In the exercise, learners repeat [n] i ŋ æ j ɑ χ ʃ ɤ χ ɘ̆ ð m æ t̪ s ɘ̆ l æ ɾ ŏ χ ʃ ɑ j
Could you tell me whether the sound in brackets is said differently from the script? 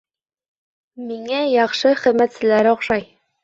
yes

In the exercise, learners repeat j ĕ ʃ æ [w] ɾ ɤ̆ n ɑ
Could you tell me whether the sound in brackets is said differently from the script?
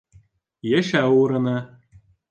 yes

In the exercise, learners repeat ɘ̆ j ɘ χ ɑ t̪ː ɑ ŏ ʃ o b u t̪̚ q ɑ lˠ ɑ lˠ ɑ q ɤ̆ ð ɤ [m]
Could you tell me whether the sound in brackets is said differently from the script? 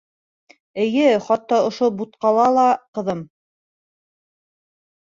no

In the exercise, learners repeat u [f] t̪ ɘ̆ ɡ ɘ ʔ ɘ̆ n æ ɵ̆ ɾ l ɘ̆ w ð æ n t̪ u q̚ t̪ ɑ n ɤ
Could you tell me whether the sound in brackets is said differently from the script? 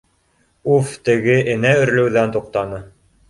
no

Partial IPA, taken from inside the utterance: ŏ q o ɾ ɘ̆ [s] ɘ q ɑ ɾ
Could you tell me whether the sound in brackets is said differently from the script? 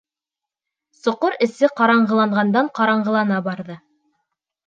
no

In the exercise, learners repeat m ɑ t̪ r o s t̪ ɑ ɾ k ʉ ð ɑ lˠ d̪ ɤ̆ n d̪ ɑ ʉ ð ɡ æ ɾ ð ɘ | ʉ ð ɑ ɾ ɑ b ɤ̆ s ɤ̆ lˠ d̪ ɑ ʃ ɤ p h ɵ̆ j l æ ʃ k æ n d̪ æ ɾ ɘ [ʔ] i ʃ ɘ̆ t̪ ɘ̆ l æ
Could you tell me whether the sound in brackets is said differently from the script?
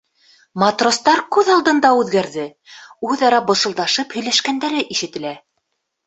no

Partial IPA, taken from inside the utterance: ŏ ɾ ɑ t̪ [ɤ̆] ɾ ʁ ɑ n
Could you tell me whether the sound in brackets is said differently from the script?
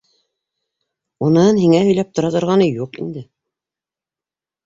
yes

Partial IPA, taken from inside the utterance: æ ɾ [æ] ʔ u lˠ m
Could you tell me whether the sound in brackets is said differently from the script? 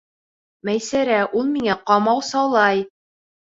no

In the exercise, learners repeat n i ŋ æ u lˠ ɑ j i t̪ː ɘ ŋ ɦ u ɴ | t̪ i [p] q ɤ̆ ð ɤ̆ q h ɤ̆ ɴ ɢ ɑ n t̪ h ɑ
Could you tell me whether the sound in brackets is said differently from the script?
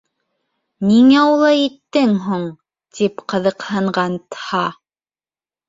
no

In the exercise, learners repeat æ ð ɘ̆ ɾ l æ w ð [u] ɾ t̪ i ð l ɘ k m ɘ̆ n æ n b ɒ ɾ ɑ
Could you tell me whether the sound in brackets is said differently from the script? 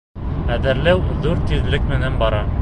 no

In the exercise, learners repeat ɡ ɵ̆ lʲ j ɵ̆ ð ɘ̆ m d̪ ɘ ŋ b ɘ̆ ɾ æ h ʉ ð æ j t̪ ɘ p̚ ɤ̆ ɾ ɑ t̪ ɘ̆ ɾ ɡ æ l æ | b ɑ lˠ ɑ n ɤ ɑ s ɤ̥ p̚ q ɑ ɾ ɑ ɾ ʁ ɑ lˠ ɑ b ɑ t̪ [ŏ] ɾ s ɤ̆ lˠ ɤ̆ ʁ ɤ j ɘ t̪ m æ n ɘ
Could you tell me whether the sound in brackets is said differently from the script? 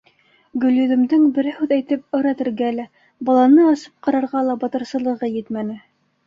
yes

